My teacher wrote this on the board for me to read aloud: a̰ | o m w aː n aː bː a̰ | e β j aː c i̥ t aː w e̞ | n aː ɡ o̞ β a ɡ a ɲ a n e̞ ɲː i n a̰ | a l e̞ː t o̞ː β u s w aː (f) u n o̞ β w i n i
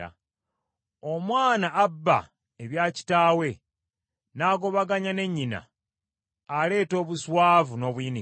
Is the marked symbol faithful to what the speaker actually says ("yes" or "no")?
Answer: no